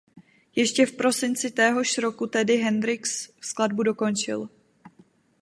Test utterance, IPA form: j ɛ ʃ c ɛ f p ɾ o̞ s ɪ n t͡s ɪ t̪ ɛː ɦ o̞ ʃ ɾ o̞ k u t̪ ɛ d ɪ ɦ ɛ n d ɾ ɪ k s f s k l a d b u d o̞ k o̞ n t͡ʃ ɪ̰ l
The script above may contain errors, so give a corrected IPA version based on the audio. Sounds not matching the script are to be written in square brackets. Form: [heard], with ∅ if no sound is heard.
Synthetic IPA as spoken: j ɛ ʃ c ɛ f p ɾ o̞ s ɪ n t͡s ɪ t̪ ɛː ɦ o̞ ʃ ɾ o̞ k u t̪ ɛ d ɪ ɦ ɛ n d ɾ ɪ k s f s k l a d b u d o̞ k o̞ n t͡ʃ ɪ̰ l